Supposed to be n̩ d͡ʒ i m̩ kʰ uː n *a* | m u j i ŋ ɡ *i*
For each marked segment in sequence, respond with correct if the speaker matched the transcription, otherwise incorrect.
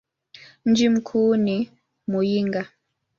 incorrect: i, incorrect: a

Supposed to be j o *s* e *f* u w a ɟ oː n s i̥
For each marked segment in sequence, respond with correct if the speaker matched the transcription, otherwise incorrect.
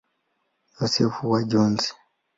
correct, correct

